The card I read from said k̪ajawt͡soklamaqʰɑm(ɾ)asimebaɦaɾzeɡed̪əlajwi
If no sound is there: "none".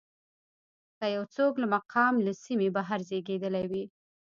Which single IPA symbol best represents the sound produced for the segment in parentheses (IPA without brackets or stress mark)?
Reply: l